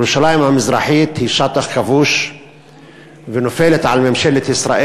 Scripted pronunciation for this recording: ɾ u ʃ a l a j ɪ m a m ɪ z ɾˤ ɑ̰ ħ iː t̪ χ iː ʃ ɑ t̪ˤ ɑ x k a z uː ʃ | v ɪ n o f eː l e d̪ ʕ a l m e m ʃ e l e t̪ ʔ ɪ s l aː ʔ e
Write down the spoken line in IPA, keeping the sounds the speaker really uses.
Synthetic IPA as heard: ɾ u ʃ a l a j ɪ m a m ɪ z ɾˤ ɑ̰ ħ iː t̪ h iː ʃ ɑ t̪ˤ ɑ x k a v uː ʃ | v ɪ n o f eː l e t̪ ʕ a l m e m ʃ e l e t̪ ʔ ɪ s ɾ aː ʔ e